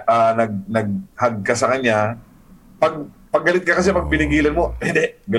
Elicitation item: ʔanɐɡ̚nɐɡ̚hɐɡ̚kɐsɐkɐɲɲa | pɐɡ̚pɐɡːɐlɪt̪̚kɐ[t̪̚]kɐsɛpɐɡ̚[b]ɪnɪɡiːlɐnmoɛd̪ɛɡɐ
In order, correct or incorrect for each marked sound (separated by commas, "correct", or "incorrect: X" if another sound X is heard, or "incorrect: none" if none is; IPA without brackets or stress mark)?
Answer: incorrect: none, incorrect: p